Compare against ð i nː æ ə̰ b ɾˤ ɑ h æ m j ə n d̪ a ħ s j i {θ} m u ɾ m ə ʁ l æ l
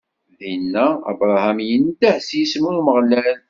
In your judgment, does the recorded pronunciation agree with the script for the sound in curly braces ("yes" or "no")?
no